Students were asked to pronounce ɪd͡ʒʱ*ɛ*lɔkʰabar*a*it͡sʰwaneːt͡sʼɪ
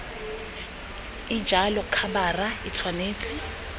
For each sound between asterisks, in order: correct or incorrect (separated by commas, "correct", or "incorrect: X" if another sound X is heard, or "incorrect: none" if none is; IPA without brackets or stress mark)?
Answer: incorrect: a, correct